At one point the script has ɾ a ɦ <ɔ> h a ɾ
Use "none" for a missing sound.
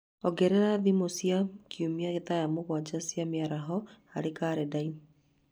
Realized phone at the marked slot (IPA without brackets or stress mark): ɔ